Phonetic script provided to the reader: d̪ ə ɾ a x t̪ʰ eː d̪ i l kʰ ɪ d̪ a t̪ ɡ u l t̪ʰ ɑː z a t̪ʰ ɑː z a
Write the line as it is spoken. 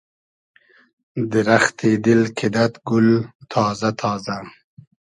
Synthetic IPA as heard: d̪ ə ɾ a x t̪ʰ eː d̪ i l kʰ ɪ d̪ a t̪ ɡ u l t̪ʰ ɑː z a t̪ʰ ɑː z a